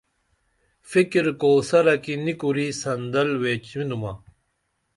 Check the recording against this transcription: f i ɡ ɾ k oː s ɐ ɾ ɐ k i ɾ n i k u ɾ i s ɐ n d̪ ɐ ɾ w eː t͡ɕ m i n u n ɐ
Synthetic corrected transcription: f i k ɾ k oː s ɐ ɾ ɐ k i n i k u ɾ i s ɐ n d̪ ɐ l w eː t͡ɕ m i n u m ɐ